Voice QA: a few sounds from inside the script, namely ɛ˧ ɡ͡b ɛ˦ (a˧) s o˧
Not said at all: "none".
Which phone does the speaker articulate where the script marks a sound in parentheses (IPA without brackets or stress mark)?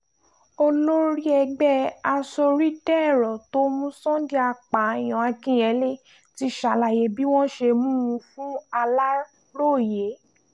a˧